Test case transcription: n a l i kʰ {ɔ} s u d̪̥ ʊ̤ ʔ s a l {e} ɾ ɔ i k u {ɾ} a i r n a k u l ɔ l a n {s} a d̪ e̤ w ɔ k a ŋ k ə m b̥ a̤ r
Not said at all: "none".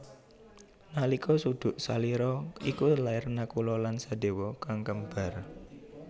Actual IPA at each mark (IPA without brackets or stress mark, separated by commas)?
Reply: ɔ, i, l, s